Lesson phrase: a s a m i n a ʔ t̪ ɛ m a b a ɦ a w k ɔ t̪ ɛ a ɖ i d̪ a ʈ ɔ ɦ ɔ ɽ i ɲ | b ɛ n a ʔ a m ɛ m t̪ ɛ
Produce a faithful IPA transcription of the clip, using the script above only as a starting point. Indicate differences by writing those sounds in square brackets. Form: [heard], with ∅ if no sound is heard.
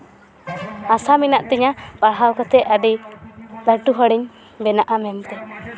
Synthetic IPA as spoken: a s a m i n a ʔ t̪ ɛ [ɲ] a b a ɦ a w k ɔ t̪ ɛ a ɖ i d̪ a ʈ [u] ɦ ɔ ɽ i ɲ | b ɛ n a ʔ a m ɛ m t̪ ɛ